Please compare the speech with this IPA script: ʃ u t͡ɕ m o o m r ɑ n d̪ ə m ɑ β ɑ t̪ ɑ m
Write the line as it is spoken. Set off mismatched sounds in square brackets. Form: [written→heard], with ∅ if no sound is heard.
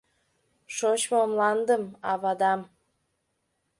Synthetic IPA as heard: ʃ [u→o] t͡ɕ m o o m [r→l] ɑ n d̪ ə m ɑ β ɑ [t̪→d̪] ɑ m